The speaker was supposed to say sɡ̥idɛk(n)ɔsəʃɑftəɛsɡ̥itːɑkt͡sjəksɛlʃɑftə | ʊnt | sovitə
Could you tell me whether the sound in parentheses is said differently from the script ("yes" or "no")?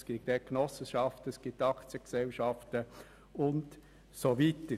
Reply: no